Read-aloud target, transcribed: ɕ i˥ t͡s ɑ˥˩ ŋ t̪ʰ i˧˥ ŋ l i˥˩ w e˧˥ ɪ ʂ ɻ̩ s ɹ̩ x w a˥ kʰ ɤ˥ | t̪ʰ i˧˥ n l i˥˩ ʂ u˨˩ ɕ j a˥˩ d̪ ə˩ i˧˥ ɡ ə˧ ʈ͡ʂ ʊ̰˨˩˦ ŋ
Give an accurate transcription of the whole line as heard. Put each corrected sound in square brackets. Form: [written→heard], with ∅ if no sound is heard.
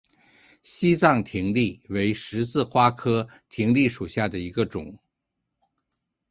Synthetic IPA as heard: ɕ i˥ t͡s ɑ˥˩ ŋ t̪ʰ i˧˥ ŋ l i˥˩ w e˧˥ ɪ ʂ ɻ̩ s ɹ̩ x w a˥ kʰ ɤ˥ | t̪ʰ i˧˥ [n→ŋ] l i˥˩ ʂ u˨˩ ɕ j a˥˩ d̪ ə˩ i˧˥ ɡ ə˧ ʈ͡ʂ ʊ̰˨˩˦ ŋ